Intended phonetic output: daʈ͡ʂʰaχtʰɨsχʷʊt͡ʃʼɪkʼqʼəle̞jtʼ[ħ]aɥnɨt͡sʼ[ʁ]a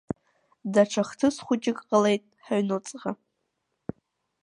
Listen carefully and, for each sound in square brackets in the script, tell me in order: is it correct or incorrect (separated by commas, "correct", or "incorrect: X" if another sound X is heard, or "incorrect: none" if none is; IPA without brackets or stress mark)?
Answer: correct, correct